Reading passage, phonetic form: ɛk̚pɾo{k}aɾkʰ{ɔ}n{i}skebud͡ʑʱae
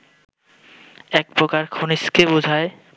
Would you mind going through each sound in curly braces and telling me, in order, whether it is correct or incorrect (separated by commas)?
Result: correct, incorrect, correct